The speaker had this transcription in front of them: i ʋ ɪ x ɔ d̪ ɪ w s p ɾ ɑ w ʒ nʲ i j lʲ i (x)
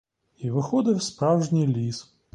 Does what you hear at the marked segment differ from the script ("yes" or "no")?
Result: yes